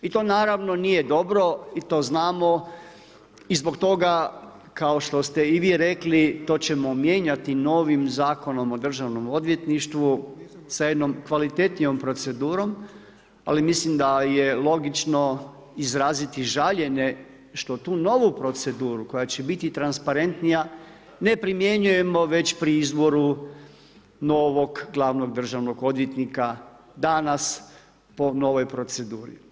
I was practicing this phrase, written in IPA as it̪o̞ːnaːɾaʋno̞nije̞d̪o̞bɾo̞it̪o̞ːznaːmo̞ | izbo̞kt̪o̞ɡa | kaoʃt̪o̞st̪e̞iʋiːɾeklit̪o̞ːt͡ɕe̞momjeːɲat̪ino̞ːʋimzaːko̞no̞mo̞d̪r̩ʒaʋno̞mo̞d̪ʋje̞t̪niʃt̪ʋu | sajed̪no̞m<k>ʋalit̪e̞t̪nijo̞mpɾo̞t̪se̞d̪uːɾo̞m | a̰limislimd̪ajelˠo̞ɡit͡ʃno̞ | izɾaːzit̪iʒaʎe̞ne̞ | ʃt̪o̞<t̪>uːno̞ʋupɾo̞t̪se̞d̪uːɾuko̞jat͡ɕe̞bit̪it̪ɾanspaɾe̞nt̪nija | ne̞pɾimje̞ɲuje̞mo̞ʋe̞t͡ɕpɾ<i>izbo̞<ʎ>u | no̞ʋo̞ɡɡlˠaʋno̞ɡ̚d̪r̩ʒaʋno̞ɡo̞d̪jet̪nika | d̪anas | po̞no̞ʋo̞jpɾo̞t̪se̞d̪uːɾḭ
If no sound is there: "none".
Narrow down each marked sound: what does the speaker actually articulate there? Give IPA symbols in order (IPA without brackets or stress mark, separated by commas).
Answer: k, t̪, i, ɾ